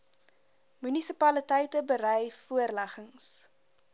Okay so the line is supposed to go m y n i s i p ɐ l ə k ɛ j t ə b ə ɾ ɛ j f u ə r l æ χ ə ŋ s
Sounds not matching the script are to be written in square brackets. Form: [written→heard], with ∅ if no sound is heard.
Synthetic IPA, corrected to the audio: m y n i s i p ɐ l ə [k→t] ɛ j t ə b ə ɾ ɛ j f u ə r l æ χ ə ŋ s